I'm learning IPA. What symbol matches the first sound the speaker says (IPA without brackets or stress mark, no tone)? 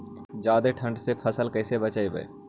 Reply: d͡ʒ